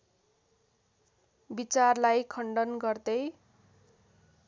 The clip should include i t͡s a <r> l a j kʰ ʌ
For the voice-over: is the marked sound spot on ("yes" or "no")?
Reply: yes